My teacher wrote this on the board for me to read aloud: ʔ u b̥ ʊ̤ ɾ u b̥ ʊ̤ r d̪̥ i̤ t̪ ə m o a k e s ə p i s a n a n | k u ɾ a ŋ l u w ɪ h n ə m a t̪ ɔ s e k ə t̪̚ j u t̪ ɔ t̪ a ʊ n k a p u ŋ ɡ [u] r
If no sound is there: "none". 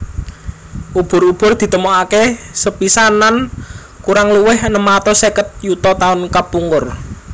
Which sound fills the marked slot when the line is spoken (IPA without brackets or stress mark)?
ʊ